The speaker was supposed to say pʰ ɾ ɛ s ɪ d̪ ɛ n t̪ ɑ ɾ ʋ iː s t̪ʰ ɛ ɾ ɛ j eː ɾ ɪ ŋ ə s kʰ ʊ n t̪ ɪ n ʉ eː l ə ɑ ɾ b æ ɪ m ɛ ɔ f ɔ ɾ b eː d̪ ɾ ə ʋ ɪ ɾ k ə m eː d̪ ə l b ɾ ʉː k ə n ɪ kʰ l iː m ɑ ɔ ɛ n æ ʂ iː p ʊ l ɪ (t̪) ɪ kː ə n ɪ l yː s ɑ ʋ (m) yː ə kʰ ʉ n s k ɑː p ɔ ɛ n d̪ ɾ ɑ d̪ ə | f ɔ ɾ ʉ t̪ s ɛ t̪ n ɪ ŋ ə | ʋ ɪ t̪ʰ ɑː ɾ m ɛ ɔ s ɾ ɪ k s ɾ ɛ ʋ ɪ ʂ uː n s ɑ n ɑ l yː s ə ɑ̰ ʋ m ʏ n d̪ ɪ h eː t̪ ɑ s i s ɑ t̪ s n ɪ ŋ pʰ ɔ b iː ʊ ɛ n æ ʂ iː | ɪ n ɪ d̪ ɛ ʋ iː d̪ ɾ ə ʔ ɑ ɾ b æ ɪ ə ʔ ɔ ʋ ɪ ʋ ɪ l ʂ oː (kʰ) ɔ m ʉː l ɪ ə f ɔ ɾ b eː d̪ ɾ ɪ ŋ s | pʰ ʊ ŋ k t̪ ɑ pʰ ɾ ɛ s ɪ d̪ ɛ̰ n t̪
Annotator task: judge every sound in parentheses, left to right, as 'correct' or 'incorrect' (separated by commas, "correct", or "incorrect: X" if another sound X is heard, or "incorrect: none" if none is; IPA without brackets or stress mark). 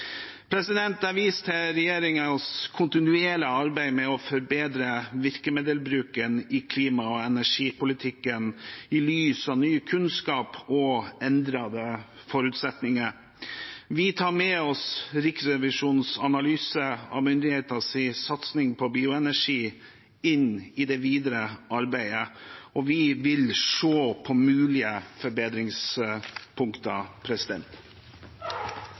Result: incorrect: t̪ʰ, incorrect: n, incorrect: pʰ